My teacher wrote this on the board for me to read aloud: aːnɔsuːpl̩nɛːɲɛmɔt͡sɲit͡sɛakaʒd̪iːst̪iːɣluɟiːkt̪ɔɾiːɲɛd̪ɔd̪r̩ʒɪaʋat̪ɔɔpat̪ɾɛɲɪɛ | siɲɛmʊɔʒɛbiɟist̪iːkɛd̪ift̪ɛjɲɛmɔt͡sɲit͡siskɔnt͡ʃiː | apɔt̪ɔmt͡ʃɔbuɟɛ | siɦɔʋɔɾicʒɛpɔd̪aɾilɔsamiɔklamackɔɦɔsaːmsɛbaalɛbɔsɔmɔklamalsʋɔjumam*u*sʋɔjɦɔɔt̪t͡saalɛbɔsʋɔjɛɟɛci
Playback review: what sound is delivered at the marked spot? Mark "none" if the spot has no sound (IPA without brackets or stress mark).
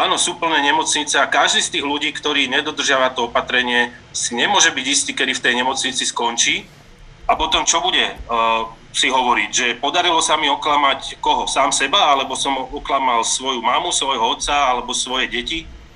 u